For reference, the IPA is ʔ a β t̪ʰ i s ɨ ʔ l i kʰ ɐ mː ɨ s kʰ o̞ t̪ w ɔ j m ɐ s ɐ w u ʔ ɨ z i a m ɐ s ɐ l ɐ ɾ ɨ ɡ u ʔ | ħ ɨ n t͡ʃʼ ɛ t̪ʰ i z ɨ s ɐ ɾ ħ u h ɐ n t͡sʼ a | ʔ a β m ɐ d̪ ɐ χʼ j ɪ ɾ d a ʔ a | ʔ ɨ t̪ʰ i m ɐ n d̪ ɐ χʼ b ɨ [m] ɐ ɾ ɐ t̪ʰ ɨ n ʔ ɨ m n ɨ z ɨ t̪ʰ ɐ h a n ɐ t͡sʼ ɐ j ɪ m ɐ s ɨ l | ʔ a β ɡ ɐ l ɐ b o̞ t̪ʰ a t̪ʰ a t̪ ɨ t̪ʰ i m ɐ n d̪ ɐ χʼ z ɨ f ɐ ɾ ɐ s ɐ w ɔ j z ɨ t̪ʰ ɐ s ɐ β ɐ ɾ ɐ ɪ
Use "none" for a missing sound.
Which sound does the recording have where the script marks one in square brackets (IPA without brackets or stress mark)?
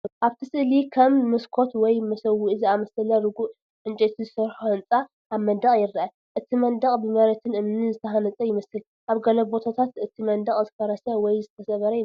m